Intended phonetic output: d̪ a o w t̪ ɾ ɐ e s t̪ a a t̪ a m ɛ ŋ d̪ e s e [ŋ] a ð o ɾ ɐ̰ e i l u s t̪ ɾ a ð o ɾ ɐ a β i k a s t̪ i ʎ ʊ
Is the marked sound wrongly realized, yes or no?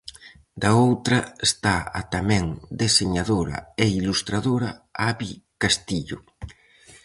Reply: yes